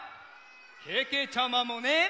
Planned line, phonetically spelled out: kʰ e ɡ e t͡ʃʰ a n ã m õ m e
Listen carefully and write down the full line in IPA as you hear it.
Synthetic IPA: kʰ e k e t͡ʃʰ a m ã m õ n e